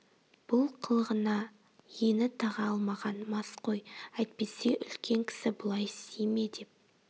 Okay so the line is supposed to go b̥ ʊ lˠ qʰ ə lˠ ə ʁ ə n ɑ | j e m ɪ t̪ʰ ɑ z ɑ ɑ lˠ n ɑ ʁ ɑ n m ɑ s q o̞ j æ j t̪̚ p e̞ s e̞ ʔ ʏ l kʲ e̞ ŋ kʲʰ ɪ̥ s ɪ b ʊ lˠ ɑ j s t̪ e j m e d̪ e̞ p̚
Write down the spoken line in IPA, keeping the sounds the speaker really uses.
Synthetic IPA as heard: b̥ ʊ lˠ qʰ ə lˠ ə ʁ ə n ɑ | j e n ɪ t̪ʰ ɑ ʁ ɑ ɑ lˠ m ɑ ʁ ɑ n m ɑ s q o̞ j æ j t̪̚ p e̞ s e̞ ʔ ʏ l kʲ e̞ ŋ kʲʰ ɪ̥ s ɪ b ʊ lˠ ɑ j s t̪ e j m e d̪ e̞ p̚